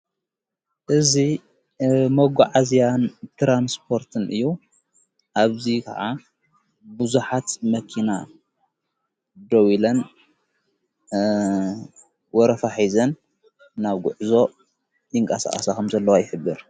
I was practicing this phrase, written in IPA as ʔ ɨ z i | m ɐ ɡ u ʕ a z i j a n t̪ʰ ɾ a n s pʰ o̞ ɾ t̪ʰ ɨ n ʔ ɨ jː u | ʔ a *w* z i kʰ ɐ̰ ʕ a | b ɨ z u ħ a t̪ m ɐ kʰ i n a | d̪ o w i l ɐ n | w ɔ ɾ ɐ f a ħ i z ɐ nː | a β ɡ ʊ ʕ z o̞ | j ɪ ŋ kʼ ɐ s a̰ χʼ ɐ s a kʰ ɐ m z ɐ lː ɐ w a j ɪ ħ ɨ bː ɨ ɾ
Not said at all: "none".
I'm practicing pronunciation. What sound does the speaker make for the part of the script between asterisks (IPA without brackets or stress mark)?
β